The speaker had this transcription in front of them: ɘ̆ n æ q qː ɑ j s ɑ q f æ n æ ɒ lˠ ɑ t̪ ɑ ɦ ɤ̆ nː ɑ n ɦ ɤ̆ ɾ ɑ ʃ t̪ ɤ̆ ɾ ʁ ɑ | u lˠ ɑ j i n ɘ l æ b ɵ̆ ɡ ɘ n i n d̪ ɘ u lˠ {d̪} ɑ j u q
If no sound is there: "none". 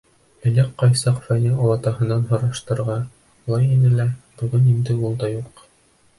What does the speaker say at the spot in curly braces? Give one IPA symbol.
d̪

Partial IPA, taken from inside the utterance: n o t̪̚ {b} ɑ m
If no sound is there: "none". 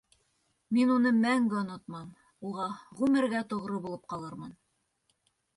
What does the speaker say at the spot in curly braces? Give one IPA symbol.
m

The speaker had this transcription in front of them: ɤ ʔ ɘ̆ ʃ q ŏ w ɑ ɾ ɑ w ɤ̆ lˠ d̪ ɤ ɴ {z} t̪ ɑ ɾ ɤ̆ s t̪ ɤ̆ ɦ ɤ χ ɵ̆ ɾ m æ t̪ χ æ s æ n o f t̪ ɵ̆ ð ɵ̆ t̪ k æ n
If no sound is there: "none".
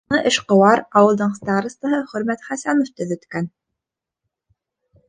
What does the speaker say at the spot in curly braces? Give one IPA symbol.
s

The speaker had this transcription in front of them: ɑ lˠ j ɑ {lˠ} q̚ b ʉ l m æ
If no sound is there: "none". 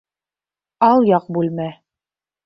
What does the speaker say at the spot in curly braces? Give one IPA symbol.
none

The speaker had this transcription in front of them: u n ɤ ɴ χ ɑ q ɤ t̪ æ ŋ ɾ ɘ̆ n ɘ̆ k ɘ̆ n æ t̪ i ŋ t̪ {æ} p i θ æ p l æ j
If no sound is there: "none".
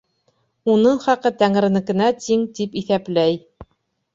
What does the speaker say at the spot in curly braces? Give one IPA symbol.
i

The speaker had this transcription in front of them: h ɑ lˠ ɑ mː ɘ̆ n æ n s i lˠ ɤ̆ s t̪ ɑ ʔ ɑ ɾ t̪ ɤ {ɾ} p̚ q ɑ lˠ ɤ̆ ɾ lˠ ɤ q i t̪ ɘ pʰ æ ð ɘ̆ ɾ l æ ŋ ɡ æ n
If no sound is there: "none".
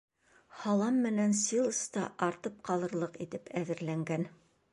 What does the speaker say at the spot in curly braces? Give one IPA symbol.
none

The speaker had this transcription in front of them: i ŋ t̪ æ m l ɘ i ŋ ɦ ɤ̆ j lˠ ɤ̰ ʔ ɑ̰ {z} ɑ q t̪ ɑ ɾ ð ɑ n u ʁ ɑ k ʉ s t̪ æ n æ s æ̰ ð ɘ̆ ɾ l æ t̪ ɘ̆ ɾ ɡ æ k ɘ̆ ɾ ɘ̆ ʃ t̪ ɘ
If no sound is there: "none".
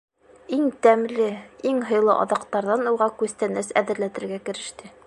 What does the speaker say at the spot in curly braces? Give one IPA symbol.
ð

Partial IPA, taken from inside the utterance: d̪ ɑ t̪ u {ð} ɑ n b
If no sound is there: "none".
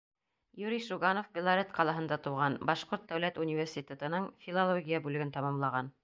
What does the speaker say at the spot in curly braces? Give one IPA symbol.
ʁ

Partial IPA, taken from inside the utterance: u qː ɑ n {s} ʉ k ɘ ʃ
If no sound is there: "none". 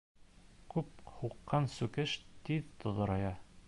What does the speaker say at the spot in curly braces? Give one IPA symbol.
s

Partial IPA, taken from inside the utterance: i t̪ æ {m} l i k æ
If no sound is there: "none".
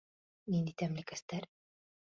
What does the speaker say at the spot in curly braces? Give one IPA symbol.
m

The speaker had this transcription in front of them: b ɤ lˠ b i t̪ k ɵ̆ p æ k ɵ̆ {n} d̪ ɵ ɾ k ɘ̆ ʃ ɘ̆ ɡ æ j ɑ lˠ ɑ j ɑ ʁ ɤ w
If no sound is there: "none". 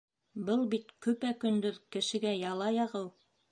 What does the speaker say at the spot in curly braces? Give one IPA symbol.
n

